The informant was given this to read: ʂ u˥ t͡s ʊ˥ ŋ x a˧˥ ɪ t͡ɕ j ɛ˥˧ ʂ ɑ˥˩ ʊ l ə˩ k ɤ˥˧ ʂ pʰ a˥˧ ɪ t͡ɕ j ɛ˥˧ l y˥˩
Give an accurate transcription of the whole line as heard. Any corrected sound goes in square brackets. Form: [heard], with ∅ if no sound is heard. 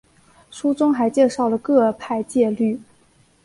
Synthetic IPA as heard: ʂ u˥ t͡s ʊ˥ ŋ x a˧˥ ɪ t͡ɕ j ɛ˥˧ ʂ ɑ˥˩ ʊ l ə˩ k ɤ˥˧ [∅] pʰ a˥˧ ɪ t͡ɕ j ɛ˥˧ l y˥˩